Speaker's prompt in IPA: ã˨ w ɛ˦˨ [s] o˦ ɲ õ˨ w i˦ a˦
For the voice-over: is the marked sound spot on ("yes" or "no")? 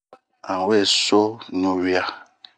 yes